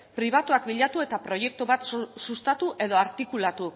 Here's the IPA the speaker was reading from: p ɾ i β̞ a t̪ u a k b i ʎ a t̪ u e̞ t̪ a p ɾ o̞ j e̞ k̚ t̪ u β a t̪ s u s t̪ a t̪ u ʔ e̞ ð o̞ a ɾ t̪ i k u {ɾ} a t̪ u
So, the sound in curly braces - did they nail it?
no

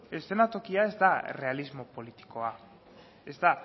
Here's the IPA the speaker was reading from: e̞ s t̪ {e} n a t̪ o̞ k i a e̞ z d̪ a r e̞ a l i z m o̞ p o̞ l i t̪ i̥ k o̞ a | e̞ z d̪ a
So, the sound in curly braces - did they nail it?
yes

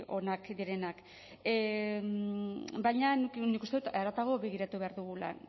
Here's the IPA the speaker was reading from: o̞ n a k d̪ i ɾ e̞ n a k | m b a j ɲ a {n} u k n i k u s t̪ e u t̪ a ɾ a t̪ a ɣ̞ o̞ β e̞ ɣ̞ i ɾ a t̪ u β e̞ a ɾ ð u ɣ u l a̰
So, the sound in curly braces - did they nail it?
yes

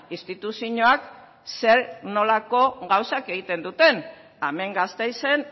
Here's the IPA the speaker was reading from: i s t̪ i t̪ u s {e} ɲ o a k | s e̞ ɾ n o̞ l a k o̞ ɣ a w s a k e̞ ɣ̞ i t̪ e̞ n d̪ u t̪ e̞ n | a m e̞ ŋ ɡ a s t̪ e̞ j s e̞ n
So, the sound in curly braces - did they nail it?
no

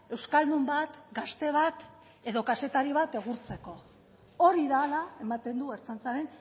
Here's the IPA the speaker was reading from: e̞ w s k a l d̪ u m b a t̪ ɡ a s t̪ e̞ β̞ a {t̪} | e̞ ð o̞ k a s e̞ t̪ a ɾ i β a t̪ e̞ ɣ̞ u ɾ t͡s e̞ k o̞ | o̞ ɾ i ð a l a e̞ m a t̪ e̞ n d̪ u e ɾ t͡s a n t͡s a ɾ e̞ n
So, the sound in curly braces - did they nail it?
yes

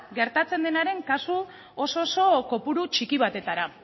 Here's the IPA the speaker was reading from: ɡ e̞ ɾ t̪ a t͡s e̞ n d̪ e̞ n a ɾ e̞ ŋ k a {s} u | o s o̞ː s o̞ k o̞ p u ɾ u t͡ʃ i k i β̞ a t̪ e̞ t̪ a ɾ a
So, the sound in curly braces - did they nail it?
yes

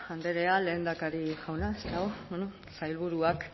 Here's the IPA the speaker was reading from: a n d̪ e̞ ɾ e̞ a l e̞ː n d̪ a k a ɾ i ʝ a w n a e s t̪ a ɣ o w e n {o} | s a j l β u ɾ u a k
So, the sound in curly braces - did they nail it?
yes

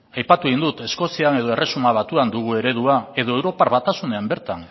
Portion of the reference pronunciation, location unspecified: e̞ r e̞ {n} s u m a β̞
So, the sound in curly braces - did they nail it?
no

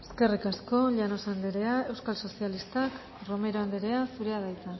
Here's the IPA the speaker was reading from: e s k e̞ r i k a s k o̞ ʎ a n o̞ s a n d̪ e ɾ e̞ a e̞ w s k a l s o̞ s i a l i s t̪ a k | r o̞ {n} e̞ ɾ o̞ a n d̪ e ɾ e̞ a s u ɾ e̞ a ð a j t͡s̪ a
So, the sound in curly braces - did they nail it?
no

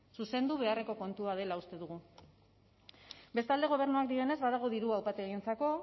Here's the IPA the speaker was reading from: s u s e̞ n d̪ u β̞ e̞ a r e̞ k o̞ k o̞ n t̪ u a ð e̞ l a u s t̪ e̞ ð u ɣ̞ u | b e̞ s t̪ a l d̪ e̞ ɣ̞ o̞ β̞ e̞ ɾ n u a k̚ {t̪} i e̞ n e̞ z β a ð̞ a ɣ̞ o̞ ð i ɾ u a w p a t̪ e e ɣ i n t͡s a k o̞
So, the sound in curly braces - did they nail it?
no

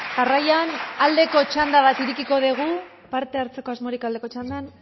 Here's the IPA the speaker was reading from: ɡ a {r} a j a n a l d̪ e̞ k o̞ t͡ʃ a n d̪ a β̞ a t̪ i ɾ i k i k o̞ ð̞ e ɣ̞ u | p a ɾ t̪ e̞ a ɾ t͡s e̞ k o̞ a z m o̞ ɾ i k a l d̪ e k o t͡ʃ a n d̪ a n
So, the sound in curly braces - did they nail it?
yes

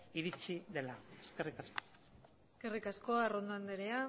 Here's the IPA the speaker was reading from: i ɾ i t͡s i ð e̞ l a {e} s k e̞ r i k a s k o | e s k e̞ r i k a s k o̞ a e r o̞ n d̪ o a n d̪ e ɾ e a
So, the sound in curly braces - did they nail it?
yes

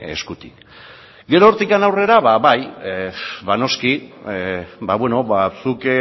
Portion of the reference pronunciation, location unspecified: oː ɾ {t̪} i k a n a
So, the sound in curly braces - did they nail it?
yes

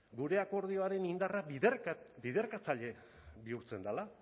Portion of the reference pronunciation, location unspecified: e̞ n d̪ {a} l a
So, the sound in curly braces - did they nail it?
yes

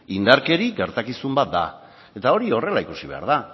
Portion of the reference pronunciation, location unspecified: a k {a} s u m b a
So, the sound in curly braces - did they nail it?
no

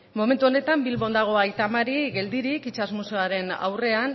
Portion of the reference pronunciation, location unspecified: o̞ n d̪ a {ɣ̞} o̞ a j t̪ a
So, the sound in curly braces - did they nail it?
yes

